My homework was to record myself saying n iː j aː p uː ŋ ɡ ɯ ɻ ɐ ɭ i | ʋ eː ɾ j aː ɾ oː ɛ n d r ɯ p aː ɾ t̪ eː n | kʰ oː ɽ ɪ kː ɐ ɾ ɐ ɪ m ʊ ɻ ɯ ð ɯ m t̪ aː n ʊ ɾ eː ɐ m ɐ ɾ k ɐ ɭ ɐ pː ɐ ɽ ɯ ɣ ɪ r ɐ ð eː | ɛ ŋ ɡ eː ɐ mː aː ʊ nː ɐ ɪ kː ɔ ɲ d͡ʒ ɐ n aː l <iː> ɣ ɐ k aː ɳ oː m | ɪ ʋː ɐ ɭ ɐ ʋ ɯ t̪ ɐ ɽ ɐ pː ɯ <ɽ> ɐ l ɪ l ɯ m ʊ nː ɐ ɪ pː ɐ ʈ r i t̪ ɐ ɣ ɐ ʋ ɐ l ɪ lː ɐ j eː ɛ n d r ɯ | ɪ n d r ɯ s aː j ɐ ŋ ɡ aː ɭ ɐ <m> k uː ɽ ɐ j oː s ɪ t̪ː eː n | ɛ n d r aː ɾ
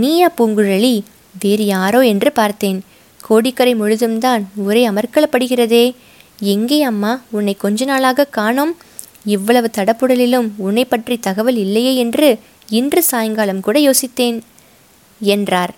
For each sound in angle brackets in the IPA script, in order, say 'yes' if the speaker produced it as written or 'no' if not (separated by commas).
no, yes, yes